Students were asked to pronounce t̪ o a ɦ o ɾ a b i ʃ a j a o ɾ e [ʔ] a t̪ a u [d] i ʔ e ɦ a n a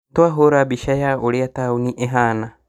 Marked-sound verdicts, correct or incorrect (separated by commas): incorrect, incorrect